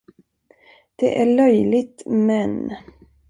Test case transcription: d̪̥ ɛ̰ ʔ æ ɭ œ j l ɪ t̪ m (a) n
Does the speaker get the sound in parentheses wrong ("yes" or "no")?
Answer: yes